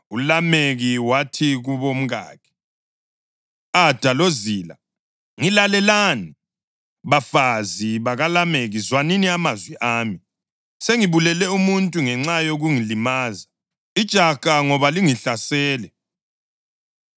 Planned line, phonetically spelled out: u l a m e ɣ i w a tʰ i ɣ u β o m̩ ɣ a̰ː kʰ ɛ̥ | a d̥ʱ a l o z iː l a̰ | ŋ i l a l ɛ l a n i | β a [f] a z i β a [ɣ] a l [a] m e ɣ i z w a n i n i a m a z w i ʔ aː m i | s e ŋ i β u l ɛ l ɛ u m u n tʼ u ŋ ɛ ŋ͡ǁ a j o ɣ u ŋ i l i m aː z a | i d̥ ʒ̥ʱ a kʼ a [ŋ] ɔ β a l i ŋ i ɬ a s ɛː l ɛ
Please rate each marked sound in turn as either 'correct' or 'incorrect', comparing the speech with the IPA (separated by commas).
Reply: correct, correct, correct, correct